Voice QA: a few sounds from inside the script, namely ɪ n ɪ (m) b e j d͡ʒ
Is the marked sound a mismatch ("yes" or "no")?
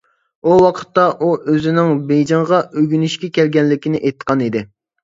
yes